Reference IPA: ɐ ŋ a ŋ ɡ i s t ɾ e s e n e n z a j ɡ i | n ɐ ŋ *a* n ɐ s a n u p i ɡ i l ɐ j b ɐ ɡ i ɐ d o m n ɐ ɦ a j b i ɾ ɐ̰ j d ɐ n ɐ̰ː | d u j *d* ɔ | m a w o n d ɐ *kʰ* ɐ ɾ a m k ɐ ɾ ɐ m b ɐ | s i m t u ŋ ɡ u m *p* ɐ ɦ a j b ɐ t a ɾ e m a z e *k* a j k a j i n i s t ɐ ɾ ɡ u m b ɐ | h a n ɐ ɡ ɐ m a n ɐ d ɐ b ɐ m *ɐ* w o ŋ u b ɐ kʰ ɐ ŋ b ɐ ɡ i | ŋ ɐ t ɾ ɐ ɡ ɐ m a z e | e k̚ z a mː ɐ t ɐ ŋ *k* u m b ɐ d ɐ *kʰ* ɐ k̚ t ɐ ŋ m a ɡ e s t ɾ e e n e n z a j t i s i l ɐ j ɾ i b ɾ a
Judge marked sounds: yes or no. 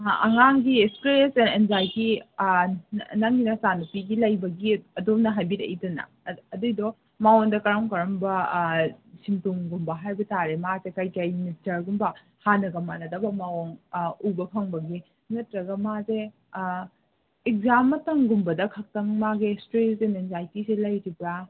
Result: no, yes, no, no, yes, no, no, yes

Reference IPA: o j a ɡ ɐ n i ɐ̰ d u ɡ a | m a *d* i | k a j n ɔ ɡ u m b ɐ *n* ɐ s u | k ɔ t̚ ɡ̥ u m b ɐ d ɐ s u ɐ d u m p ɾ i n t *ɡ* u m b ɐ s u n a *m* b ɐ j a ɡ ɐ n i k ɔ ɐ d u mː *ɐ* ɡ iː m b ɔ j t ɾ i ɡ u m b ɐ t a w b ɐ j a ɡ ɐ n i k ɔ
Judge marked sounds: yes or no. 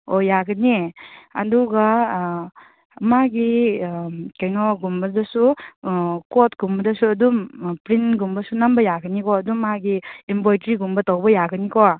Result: no, no, yes, yes, no

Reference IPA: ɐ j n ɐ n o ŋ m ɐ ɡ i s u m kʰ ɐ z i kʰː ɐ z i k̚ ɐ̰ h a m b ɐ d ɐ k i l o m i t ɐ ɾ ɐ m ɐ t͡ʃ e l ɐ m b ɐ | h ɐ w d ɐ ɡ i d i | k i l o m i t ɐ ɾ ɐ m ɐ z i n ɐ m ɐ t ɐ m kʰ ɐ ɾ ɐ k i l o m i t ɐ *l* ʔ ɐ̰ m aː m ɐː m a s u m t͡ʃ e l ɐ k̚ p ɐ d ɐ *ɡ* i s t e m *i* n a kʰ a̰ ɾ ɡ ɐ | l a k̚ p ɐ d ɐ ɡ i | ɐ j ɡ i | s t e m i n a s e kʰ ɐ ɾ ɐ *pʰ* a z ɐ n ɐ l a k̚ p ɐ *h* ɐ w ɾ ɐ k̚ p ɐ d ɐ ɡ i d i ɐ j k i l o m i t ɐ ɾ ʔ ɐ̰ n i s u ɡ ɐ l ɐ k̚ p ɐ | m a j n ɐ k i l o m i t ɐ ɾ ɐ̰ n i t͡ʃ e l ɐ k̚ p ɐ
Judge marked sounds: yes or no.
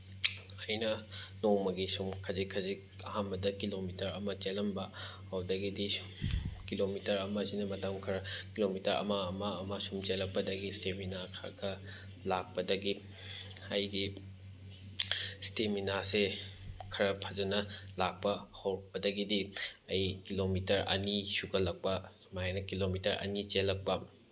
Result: no, yes, yes, yes, yes

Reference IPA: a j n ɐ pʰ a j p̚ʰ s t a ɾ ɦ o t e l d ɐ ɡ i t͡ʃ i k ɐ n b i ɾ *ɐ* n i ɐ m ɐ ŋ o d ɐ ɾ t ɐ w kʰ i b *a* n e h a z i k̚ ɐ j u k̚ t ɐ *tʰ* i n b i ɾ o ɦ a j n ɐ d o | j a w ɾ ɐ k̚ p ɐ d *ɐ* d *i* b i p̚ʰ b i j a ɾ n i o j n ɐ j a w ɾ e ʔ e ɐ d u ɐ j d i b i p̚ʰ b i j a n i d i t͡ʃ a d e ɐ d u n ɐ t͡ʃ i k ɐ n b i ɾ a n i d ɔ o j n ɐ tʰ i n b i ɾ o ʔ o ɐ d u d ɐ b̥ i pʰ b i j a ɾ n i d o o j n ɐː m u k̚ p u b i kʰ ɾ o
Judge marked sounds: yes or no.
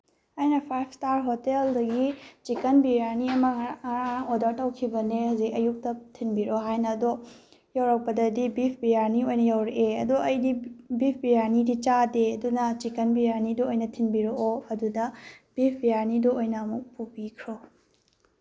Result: no, no, yes, yes, yes

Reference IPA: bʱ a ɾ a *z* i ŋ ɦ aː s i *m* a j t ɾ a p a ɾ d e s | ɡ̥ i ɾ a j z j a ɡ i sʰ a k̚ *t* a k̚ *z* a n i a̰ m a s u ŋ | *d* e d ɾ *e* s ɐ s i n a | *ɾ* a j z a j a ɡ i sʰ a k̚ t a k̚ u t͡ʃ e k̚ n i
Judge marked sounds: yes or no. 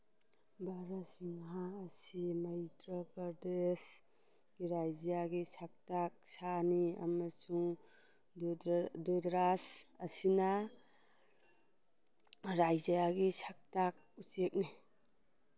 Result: no, yes, yes, no, yes, no, yes

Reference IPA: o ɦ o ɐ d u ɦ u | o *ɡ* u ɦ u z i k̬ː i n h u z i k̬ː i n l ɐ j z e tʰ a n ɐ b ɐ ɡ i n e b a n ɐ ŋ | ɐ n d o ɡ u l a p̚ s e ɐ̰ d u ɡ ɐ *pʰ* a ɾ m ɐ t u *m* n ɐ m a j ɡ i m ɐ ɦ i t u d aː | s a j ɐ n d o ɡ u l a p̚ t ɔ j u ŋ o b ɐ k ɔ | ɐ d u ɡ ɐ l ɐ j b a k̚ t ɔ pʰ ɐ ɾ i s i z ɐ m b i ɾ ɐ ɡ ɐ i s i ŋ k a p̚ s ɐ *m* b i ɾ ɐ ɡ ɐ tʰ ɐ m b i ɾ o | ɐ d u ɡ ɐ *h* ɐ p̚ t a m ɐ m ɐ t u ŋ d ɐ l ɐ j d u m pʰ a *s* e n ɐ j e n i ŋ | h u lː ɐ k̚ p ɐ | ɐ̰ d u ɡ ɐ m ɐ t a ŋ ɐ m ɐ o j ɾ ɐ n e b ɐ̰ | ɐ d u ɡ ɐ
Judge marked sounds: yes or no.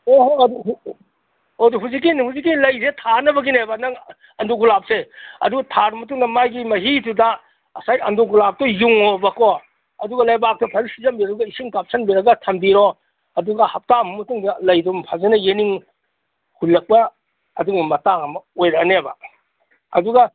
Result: no, no, no, no, yes, no

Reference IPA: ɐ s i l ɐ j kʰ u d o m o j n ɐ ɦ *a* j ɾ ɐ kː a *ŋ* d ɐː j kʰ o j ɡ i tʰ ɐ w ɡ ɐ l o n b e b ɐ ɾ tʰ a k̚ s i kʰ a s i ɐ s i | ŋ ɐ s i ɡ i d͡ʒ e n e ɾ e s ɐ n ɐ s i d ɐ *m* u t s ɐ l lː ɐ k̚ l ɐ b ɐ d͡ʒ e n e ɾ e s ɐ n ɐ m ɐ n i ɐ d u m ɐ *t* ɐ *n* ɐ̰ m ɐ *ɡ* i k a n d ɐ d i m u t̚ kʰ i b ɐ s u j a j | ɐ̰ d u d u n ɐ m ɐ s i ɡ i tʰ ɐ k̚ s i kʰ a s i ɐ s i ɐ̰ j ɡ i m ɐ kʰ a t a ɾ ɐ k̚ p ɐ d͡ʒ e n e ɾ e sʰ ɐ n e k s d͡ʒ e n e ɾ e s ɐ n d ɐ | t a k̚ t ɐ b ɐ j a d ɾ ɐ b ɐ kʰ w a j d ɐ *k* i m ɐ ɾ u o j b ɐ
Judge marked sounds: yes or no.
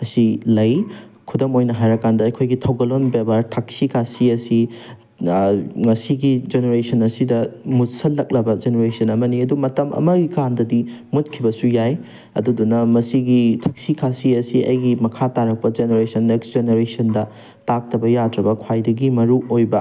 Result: yes, no, yes, yes, no, yes, no

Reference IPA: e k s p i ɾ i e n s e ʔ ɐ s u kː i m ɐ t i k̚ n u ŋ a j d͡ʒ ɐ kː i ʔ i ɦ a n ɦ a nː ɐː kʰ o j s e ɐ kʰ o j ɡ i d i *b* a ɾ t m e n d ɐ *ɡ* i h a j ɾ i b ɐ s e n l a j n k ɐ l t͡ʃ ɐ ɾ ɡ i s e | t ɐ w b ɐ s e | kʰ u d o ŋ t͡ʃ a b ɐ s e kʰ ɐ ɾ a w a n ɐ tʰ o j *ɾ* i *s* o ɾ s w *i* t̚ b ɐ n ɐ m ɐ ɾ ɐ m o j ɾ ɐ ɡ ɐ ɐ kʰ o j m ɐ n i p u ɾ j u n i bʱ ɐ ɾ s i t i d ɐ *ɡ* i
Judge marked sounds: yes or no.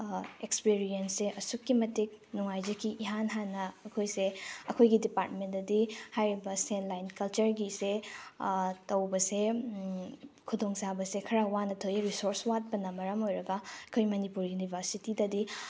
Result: no, no, yes, yes, no, no

